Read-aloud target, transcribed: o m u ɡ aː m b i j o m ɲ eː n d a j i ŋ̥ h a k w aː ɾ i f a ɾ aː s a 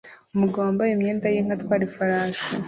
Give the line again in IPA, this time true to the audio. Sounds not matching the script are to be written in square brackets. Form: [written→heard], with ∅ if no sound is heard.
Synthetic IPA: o m u ɡ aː m b [i→a] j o m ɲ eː n d a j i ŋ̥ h a [k→t] w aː ɾ i f a ɾ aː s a